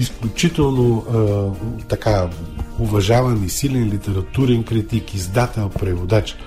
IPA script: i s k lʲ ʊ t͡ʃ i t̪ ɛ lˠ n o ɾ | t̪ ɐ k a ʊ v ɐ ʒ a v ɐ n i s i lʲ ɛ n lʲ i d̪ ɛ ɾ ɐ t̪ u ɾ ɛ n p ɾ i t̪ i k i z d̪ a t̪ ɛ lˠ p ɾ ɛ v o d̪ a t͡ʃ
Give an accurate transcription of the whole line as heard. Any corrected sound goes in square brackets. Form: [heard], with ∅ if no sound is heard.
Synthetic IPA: i s k lʲ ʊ t͡ʃ i t̪ ɛ lˠ n o [∅] | t̪ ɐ k a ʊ v ɐ ʒ a v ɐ n i s i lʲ ɛ n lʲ i [t̪] ɛ ɾ ɐ t̪ u ɾ ɛ n [k] ɾ i t̪ i k i z d̪ a t̪ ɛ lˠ p ɾ ɛ v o d̪ a t͡ʃ